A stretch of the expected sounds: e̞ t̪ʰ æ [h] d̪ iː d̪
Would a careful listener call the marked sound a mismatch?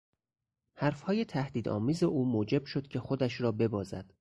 no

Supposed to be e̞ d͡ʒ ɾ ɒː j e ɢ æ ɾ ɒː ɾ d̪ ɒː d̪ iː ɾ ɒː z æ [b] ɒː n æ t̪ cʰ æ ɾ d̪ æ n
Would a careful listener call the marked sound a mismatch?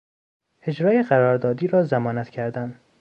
yes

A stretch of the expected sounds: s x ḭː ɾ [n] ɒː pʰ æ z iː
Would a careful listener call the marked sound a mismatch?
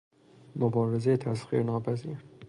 no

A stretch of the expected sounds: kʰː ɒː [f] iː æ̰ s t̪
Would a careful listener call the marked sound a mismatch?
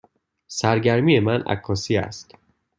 yes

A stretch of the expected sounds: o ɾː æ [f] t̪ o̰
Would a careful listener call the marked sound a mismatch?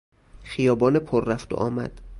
no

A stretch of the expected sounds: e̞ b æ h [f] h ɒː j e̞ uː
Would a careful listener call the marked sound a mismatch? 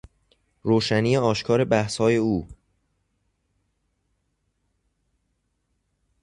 yes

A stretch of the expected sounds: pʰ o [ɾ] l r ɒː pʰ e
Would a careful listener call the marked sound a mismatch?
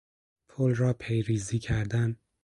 yes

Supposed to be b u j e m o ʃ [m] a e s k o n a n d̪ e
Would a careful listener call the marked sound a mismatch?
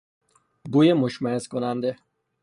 no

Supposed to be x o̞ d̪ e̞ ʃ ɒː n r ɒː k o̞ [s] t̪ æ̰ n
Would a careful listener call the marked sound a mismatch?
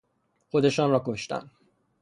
yes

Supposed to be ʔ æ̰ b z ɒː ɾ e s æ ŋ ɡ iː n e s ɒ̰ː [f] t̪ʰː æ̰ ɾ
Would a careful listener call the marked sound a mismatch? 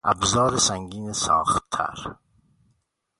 yes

